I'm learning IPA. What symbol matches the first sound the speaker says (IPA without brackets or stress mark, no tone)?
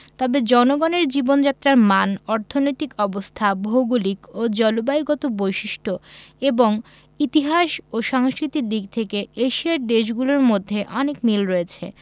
t̪